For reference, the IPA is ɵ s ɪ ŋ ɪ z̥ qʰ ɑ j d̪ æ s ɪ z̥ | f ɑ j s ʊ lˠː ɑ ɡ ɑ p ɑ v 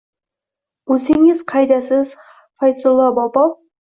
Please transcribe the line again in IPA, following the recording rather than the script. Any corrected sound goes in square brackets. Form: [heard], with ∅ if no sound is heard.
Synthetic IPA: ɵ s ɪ ŋ ɪ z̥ qʰ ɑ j d̪ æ s ɪ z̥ | f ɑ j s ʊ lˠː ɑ [b] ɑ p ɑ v